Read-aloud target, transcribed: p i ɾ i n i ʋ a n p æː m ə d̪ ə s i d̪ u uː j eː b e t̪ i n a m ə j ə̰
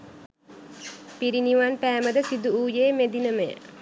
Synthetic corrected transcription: p i ɾ i n i ʋ a n p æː m ə d̪ ə s i d̪ u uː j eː m e d̪ i n ə m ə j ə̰